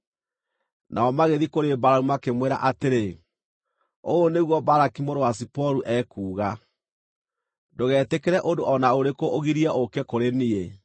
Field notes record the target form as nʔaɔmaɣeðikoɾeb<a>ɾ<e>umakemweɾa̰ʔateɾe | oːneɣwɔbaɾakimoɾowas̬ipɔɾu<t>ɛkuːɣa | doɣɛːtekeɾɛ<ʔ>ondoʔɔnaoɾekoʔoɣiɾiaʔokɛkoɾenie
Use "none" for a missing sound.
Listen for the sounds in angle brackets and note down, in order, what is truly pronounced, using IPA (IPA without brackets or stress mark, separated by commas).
a, a, ʔ, ʔ